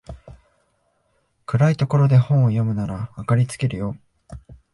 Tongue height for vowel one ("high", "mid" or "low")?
high